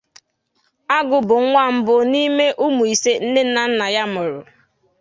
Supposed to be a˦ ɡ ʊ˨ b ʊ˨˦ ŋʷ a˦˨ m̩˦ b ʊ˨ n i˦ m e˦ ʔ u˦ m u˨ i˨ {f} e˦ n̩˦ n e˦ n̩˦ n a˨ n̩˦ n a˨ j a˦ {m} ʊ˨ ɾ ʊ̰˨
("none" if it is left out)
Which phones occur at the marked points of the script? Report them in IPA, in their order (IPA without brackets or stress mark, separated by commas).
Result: s, m